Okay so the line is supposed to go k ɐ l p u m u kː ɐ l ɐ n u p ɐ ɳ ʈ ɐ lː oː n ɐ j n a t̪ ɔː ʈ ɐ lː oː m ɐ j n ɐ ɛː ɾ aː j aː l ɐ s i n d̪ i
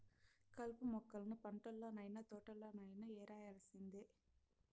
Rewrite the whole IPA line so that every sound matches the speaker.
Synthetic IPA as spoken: k ɐ l p u m ɔ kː ɐ l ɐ n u p ɐ ɳ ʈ ɐ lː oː n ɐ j n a t̪ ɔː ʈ ɐ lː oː n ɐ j n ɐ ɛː ɾ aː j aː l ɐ s i n d̪ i